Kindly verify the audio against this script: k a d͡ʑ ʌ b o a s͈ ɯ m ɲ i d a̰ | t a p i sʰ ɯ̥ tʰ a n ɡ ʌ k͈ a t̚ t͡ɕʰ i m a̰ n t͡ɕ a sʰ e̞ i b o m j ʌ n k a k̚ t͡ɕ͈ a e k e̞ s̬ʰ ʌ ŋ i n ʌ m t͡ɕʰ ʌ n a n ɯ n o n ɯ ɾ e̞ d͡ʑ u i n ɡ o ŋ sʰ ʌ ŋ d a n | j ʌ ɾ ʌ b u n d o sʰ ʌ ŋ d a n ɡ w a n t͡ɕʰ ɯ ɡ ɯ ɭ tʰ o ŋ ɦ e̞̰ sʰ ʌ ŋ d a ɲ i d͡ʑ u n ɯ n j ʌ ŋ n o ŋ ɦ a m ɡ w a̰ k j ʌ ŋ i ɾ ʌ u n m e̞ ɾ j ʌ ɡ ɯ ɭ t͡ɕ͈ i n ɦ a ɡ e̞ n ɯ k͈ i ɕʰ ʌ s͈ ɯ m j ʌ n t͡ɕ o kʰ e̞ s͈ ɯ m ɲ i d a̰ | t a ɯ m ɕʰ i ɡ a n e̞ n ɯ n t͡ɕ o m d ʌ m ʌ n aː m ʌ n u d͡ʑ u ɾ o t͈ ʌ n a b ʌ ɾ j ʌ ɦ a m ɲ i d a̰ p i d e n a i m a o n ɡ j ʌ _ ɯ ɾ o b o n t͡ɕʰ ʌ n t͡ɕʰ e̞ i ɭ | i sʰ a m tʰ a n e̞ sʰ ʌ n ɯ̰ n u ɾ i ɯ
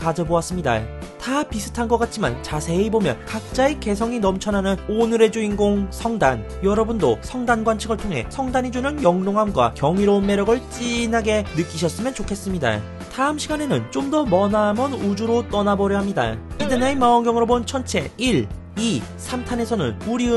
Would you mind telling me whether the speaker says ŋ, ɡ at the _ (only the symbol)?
ŋ